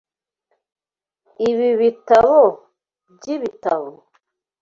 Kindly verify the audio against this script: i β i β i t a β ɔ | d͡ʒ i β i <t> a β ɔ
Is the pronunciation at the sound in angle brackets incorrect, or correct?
correct